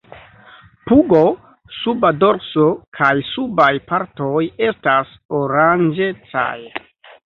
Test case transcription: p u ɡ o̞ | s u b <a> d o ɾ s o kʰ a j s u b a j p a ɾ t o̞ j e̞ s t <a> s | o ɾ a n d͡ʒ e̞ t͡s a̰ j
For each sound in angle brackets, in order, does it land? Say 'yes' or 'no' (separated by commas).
yes, yes